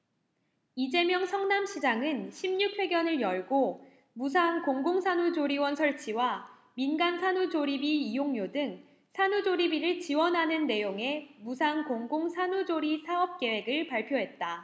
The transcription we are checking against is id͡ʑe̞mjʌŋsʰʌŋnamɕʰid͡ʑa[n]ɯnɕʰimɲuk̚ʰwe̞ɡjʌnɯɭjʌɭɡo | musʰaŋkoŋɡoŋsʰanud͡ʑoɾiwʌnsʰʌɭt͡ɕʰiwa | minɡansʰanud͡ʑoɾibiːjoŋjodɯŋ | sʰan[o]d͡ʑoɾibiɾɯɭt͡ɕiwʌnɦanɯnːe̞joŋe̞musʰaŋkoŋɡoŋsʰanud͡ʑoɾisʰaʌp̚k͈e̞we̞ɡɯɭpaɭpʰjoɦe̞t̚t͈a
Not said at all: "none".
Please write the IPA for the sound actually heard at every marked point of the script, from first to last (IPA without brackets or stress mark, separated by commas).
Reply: ŋ, u